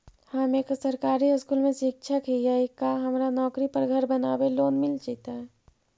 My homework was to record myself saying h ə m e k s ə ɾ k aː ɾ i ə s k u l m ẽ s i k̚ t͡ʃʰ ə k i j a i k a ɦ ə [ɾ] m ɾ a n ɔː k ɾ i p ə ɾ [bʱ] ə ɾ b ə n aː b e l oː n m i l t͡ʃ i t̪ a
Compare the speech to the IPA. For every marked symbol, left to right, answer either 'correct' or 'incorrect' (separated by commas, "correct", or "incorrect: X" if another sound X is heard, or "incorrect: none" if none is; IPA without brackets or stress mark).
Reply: incorrect: none, incorrect: ɡʱ